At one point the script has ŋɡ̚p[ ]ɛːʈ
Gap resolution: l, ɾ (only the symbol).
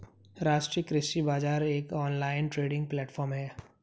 l